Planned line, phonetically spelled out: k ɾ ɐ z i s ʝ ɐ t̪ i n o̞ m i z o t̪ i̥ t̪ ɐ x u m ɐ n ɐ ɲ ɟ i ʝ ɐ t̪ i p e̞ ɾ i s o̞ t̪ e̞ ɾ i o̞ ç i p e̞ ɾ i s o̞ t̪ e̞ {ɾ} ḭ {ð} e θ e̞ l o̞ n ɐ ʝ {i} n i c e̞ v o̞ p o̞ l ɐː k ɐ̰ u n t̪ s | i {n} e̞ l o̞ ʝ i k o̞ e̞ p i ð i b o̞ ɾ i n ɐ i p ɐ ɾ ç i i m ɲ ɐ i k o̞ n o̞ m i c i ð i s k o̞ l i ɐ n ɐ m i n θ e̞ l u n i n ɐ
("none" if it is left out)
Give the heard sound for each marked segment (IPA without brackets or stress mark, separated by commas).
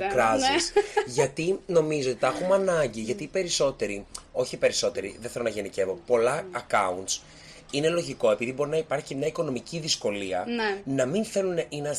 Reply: ɾ, ð, e, n